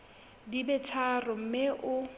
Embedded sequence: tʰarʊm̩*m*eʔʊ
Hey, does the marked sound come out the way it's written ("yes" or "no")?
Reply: yes